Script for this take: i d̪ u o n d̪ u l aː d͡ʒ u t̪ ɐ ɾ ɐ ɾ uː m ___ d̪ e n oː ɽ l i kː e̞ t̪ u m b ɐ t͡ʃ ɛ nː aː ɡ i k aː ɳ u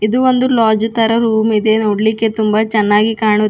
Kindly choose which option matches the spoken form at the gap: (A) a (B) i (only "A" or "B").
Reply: B